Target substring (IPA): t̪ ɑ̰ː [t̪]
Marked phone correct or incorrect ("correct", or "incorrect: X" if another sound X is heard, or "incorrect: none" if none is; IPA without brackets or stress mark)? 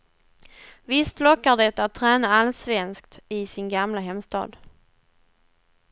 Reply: incorrect: d̪